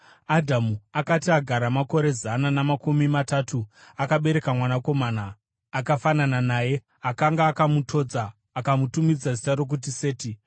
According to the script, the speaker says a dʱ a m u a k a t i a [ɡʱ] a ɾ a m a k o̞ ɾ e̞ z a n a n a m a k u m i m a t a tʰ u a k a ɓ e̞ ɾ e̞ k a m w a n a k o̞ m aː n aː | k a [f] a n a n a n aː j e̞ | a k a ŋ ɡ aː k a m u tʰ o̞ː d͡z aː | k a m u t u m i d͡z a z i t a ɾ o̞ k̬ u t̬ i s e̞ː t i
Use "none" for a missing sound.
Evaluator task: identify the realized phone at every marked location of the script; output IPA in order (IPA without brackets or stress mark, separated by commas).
ɡʱ, f